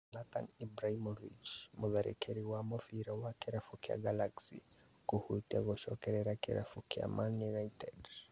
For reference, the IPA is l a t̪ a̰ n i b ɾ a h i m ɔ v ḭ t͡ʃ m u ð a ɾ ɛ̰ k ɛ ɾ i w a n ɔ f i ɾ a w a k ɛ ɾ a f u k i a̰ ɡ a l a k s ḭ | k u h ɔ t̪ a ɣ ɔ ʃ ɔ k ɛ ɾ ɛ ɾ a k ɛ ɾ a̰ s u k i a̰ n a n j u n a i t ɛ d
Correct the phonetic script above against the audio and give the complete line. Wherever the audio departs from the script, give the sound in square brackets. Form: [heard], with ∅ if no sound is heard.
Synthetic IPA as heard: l a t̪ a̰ n i b ɾ a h i m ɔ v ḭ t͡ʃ m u ð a ɾ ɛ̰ k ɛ ɾ i w a [m] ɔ f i ɾ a w a k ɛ ɾ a f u k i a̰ ɡ a l a k s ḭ | k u h [u] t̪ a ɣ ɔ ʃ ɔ k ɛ ɾ ɛ ɾ a k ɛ ɾ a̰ [f] u k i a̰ [m] a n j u n a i t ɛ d